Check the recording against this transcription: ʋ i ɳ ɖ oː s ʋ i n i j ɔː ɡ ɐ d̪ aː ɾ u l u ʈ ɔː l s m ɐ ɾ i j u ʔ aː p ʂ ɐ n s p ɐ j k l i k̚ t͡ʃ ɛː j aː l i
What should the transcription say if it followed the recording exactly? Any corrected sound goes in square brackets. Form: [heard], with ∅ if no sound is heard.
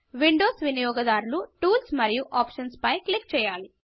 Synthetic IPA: ʋ i ɳ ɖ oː s ʋ i n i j ɔː ɡ ɐ d̪ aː ɾ u l u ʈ [uː] l s m ɐ ɾ i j u ʔ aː p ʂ ɐ n s p ɐ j k l i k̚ t͡ʃ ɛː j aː l i